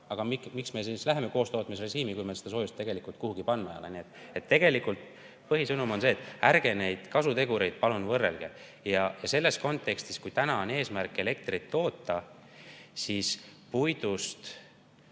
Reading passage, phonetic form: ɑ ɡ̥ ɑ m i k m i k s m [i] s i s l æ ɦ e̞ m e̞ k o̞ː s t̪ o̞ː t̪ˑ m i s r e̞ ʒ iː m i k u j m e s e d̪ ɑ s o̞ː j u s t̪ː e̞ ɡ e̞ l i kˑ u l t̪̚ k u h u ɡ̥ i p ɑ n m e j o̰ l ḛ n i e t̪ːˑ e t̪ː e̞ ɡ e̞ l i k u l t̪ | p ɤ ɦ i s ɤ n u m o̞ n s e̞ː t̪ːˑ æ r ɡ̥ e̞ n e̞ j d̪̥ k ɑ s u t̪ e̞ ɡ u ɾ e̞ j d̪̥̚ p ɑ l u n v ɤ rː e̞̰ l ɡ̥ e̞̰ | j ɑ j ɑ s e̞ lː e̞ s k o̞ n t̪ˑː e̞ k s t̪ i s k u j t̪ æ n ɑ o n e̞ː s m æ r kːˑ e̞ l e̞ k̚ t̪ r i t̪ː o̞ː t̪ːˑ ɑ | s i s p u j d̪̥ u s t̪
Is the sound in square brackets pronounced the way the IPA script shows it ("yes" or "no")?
no